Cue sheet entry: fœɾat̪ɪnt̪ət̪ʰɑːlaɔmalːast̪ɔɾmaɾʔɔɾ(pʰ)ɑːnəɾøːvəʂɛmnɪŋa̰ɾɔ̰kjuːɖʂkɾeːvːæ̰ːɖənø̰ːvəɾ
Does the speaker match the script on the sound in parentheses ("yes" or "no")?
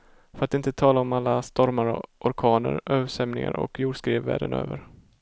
no